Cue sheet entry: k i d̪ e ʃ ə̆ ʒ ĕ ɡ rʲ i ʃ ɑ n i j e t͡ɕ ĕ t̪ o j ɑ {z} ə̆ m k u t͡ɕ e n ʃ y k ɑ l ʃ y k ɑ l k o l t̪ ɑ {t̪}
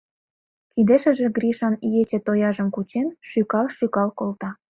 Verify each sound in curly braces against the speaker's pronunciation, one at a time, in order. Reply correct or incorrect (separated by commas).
incorrect, incorrect